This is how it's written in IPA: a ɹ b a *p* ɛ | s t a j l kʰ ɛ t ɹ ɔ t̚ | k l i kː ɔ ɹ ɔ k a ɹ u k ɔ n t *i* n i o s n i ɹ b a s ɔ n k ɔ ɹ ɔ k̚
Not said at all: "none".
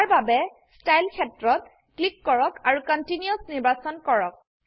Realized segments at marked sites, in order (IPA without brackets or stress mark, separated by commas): b, i